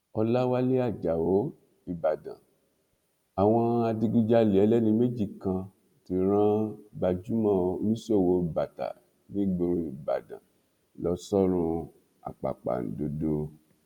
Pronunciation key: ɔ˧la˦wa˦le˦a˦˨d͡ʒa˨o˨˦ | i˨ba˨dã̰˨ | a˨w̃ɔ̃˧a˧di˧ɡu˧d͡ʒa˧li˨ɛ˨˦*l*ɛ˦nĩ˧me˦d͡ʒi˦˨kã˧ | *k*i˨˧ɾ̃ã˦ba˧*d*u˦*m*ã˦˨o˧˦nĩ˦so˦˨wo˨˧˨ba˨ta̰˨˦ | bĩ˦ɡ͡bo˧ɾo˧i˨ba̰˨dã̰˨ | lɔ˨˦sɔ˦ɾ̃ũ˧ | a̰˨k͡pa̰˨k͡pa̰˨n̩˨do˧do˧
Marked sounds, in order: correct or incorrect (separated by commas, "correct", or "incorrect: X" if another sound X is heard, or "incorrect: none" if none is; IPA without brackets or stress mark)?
correct, incorrect: t, incorrect: d͡ʒ, correct